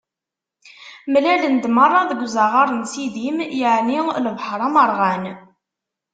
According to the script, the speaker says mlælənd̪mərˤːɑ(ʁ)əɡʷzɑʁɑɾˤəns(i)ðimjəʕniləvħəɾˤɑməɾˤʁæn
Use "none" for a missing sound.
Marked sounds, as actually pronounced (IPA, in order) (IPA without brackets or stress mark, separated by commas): ð, i